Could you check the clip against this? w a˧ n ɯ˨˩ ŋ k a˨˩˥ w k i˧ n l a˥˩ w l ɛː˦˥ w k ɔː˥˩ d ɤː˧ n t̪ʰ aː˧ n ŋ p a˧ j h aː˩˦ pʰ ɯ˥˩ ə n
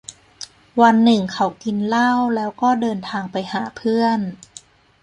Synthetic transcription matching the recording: w a˧ nː ɯ˨˩ ŋ kʰ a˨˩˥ w k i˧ n l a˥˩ w l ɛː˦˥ w k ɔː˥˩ d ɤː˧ n t̪ʰ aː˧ ŋ p a˧ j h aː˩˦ pʰ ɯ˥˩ ə n